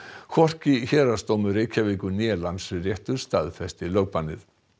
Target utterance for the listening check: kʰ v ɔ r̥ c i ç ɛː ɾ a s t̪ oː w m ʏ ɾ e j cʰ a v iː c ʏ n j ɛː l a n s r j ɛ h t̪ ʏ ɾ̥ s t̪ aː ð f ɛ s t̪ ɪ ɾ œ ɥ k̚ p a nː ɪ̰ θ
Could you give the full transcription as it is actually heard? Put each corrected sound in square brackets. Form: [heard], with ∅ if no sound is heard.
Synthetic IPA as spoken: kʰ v ɔ r̥ c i ç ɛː ɾ a s t̪ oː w m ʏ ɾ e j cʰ a v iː [k] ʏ n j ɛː l a n s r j ɛ h t̪ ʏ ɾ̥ s t̪ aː ð f ɛ s t̪ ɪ [l] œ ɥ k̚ p a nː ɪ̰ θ